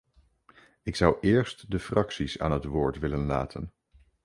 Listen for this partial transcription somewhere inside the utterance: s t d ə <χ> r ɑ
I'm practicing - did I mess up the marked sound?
yes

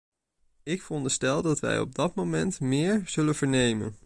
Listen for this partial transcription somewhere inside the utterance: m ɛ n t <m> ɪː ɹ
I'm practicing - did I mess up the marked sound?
no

